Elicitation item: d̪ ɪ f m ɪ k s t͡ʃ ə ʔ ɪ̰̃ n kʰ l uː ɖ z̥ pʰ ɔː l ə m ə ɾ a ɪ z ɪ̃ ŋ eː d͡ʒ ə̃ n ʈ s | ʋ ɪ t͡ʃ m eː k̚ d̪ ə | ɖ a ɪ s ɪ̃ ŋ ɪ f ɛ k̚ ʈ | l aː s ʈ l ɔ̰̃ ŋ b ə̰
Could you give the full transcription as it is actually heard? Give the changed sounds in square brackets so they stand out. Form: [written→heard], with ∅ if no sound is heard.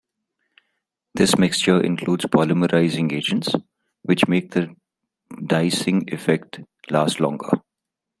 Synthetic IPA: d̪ ɪ [f→s] m ɪ k s t͡ʃ ə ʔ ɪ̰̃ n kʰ l uː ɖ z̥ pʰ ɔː l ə m ə ɾ a ɪ z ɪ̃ ŋ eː d͡ʒ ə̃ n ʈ s | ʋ ɪ t͡ʃ m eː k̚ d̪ ə | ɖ a ɪ s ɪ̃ ŋ ɪ f ɛ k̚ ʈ | l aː s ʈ l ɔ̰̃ ŋ [b→ɡ] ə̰